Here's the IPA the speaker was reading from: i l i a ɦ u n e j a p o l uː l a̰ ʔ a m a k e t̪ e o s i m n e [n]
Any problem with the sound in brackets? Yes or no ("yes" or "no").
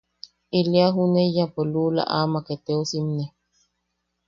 yes